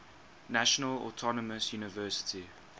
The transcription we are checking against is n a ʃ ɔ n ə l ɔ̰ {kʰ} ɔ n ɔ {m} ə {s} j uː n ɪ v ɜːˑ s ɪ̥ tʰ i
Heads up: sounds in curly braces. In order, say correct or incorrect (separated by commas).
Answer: incorrect, correct, correct